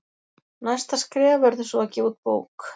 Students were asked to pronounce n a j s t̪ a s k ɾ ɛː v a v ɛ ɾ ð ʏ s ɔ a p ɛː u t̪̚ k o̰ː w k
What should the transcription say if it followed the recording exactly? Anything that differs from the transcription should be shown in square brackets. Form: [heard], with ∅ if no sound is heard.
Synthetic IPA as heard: n a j s t̪ a s k ɾ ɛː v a v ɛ ɾ ð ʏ s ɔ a [c] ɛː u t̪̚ [p] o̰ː w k